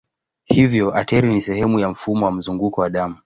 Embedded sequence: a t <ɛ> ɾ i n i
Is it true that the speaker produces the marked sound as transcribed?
yes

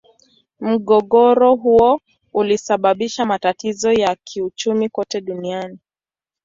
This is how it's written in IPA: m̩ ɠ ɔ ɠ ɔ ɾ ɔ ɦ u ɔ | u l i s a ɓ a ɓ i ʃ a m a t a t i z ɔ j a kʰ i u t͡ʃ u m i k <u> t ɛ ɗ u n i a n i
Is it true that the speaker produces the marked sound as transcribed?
no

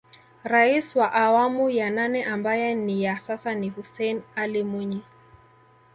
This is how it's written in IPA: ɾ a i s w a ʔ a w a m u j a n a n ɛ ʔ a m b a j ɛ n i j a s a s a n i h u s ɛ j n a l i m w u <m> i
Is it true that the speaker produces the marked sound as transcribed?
no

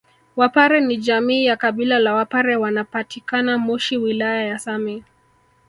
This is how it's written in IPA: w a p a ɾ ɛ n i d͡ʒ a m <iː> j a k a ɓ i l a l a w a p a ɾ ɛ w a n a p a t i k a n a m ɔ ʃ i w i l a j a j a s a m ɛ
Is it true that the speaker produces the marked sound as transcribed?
yes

